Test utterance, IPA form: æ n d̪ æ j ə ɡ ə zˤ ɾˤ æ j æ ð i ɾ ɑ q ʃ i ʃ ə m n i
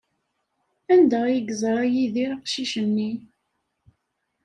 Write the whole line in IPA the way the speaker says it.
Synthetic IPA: æ n d̪ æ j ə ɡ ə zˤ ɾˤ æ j i ð i ɾ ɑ q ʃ i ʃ ə m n i